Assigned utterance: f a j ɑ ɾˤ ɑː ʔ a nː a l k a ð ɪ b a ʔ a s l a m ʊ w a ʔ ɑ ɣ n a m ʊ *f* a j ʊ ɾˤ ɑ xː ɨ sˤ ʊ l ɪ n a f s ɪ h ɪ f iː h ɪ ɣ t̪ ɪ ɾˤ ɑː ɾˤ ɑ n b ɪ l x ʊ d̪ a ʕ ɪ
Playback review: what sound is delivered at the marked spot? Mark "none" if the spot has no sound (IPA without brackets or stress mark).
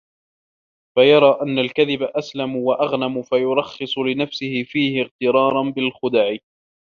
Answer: f